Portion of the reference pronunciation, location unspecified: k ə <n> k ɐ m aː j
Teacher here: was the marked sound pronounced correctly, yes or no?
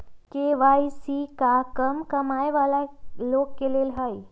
no